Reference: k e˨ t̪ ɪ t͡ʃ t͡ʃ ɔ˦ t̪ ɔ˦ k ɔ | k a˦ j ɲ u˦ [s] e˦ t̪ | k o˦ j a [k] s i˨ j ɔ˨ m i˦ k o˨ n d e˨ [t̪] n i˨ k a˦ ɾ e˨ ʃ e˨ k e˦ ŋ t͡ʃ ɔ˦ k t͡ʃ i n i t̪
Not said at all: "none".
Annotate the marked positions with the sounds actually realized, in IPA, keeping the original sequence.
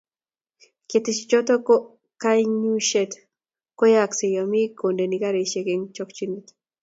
ʃ, k, none

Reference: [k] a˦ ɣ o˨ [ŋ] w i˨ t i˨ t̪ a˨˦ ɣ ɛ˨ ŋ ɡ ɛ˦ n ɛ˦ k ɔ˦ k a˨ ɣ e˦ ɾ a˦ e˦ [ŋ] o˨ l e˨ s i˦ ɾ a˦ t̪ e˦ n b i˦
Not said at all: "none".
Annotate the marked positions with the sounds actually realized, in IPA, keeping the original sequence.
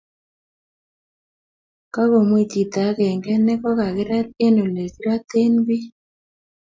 k, m, n

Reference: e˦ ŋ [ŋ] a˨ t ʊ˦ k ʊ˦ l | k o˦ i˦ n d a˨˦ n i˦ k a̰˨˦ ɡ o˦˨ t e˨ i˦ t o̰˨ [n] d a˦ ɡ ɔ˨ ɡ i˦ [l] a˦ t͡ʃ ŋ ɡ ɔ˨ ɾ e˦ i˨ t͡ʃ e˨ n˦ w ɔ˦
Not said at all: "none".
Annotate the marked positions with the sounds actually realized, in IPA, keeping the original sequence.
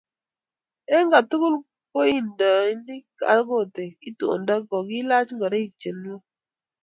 ɡ, n, l

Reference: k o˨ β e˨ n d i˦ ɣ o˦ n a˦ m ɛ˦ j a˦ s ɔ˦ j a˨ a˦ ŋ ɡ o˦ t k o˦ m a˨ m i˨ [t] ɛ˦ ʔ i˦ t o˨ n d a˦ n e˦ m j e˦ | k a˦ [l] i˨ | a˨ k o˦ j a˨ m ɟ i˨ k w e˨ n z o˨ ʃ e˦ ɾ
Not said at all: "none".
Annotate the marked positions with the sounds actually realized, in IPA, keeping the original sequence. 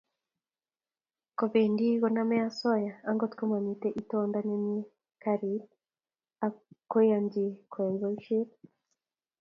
t, ɾ

